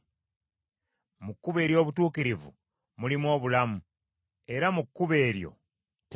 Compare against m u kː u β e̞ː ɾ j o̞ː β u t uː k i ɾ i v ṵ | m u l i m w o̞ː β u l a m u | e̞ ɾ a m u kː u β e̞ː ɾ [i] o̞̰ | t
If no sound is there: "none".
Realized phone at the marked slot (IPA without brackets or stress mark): j